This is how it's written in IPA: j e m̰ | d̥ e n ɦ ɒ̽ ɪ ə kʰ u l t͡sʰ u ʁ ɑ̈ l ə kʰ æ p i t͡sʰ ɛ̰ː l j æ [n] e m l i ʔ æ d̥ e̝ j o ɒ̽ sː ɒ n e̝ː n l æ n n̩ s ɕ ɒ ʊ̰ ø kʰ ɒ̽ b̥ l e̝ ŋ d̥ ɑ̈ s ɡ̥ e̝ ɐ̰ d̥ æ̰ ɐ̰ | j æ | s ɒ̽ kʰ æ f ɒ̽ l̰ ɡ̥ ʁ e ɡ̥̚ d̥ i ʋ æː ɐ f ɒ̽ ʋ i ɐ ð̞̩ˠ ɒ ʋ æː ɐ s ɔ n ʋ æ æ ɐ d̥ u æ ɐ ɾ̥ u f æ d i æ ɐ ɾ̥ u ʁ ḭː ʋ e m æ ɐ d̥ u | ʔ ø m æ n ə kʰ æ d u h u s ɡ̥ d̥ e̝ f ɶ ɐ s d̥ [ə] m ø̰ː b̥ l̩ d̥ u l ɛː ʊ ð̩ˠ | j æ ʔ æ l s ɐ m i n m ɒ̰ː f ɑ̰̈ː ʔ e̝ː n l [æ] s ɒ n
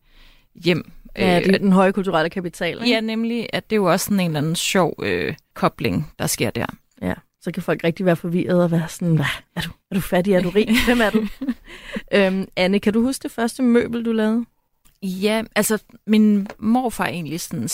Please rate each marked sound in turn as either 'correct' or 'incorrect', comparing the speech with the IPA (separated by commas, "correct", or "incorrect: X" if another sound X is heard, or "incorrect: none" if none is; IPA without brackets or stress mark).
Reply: correct, correct, incorrect: i